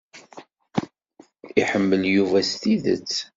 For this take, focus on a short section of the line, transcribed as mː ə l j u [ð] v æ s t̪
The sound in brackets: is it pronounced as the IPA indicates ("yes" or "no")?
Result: no